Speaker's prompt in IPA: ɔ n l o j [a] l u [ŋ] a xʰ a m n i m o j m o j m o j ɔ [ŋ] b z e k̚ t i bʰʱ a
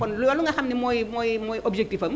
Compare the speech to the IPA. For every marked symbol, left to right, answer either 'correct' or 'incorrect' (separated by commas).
correct, correct, incorrect